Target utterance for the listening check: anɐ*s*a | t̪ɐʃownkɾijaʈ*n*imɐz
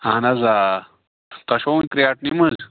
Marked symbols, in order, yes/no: no, yes

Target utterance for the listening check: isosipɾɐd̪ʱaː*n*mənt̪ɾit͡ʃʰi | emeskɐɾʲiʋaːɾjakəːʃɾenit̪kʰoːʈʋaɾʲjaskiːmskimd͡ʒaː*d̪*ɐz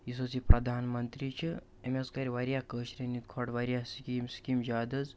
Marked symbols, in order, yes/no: yes, yes

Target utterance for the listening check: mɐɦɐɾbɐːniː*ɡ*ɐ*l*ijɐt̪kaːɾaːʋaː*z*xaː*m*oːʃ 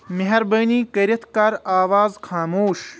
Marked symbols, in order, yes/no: no, no, yes, yes

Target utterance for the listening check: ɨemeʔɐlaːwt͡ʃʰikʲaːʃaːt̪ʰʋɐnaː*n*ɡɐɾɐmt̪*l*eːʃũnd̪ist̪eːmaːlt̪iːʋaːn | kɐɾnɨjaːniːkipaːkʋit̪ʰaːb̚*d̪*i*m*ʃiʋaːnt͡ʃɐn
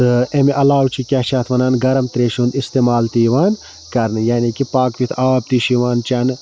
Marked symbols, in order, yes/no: yes, no, no, no

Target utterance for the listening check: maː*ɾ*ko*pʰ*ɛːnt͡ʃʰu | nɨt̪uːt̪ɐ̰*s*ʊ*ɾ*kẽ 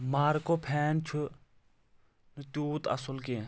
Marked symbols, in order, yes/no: yes, yes, yes, no

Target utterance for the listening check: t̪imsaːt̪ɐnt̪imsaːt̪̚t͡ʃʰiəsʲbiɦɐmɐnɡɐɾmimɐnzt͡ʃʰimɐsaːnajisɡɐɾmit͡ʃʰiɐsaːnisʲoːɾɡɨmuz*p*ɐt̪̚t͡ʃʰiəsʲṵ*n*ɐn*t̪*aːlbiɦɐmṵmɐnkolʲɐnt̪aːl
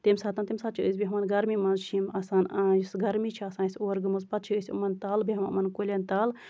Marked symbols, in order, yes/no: yes, no, yes

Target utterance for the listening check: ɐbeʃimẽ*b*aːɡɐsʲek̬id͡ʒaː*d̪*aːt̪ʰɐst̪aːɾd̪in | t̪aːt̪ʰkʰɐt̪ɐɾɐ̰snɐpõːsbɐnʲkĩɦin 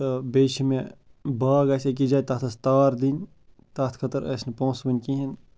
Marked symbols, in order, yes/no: yes, no

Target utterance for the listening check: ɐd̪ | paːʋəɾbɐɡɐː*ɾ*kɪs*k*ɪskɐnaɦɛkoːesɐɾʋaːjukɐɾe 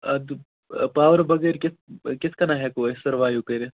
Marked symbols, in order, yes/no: yes, yes

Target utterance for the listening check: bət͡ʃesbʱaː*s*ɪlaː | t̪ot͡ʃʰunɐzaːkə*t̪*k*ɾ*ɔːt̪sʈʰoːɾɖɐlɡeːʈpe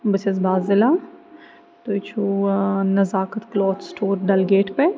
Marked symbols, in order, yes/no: no, yes, no

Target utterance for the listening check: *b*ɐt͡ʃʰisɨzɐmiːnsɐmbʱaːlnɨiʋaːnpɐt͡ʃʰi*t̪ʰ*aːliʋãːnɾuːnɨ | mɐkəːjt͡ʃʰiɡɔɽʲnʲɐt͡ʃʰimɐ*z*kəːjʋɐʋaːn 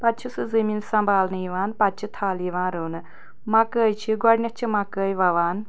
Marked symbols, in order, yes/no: no, yes, no

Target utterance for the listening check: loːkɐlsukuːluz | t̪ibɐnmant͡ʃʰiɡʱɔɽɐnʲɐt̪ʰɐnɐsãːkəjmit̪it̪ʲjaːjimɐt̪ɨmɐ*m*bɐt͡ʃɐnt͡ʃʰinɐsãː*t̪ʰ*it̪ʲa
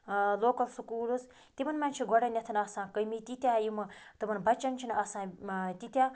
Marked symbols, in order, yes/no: no, no

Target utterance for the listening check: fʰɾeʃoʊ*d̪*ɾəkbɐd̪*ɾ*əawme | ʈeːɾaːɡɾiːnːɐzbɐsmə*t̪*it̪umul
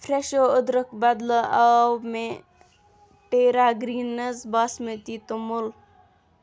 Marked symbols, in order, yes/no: yes, no, yes

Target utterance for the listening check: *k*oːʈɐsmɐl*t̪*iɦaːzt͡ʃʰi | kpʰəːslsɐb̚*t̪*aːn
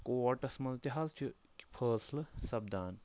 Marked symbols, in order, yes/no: yes, yes, no

